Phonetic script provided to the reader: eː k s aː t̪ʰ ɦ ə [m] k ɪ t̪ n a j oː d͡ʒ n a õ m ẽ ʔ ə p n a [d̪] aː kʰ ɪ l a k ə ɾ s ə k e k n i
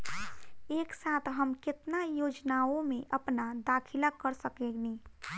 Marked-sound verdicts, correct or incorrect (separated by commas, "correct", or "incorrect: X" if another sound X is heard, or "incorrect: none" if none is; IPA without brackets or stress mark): correct, correct